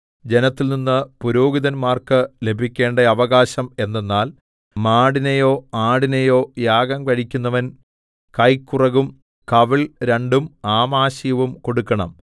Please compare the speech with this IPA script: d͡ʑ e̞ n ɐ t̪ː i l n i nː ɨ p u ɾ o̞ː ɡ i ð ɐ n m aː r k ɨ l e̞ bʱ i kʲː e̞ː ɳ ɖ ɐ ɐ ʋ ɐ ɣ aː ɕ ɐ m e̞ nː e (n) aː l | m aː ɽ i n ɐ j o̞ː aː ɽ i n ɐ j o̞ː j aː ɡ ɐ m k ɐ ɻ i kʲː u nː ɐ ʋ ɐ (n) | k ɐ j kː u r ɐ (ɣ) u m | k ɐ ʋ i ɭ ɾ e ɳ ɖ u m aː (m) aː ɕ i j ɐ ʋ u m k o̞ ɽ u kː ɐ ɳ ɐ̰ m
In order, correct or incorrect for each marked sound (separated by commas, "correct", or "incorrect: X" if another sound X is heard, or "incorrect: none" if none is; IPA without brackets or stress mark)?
incorrect: nː, correct, correct, correct